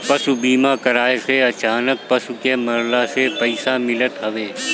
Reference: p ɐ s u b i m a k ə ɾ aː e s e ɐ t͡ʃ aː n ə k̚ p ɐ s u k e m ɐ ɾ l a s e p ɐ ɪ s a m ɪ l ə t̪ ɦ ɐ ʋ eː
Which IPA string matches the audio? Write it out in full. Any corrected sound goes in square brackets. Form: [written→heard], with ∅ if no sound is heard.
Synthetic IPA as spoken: p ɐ s u b [i→iː] m a k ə ɾ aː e s e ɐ t͡ʃ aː n ə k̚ p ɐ s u k e m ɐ ɾ l a s e p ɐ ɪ s a m ɪ l ə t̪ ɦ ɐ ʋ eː